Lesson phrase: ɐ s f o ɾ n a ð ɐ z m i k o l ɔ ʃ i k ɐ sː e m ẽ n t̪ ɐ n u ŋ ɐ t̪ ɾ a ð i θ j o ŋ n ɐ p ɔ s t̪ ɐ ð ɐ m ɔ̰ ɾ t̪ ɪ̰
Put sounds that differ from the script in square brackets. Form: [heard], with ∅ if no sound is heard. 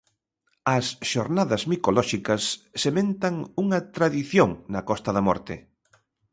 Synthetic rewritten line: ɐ s [ʃ] o ɾ n a ð ɐ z m i k o l ɔ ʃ i k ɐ sː e m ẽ n t̪ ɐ [ŋ] u ŋ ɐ t̪ ɾ a ð i θ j o ŋ n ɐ [k] ɔ s t̪ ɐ ð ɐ m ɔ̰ ɾ t̪ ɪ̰